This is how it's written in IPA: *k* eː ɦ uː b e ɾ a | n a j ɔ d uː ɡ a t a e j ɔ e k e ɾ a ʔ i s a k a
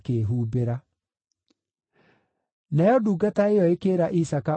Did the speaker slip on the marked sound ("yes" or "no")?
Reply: no